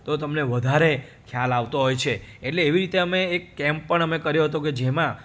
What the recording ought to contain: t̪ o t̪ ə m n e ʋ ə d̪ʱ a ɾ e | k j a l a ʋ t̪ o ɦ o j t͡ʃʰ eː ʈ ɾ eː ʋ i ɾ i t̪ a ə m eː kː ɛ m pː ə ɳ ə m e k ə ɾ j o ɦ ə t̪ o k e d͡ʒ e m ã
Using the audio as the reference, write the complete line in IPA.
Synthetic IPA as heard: t̪ o t̪ ə m n e ʋ ə d̪ʱ a ɾ e | kʰ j a l a ʋ t̪ o ɦ o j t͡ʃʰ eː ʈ l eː ʋ i ɾ i t̪ e ə m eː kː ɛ m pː ə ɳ ə m e k ə ɾ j o ɦ ə t̪ o k e d͡ʒ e m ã